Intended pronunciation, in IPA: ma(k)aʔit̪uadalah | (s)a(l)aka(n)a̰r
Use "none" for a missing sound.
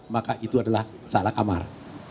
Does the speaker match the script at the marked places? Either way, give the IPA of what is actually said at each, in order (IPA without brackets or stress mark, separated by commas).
k, s, l, m